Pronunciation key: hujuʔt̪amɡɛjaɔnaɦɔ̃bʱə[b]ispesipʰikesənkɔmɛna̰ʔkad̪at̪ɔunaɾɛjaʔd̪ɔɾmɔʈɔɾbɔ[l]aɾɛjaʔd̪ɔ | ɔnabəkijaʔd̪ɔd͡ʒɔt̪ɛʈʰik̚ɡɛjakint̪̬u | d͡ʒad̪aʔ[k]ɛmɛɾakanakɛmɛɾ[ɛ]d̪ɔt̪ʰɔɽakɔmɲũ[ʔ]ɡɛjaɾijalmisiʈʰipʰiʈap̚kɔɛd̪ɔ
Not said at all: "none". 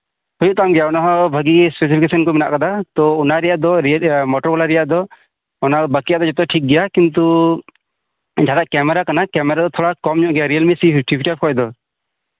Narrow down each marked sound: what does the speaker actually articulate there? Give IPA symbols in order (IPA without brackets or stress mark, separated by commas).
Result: ɡ, l, k, a, ʔ